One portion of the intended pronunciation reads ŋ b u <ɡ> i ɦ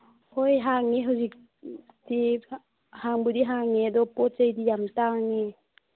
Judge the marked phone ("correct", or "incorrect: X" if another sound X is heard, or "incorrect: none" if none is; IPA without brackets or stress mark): incorrect: d